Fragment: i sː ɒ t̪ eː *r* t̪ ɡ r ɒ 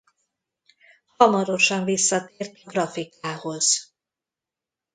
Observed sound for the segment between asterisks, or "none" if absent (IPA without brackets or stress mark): r